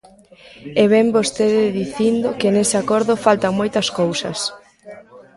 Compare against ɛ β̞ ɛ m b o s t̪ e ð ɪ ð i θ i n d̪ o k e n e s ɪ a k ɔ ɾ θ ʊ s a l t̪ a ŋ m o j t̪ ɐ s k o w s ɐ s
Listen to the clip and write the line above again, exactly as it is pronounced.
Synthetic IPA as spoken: ɛ β̞ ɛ m b o s t̪ e ð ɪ ð i θ i n d̪ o k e n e s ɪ a k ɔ ɾ ð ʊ f a l t̪ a ŋ m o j t̪ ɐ s k o w s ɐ s